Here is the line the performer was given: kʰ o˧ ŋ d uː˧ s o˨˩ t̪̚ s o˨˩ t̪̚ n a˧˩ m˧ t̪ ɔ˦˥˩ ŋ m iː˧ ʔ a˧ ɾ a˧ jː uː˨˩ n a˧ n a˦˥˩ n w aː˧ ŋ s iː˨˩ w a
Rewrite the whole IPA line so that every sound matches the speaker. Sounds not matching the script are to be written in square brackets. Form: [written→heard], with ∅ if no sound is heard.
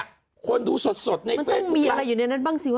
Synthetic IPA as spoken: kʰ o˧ [ŋ→n] d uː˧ s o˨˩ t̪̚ s o˨˩ t̪̚ n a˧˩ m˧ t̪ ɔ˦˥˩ ŋ m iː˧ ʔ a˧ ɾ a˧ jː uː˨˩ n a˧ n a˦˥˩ n [w→b] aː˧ ŋ s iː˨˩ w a